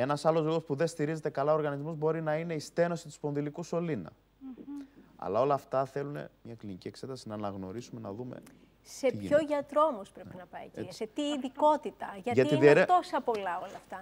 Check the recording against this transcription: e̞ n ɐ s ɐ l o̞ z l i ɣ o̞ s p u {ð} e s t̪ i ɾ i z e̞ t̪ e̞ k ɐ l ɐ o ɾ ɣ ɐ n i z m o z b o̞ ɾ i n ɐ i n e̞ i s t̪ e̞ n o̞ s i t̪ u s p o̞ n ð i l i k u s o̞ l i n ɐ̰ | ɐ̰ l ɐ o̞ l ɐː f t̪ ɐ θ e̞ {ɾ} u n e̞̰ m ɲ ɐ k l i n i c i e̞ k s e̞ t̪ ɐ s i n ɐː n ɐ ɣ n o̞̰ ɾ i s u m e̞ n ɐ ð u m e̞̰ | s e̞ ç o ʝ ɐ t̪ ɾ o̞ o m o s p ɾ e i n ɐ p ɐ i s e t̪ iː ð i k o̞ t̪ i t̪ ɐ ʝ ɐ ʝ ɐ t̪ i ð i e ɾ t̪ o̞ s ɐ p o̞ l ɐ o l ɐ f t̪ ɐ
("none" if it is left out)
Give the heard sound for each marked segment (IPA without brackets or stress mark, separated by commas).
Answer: ð, l